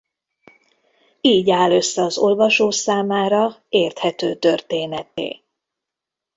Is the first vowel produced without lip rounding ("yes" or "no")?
yes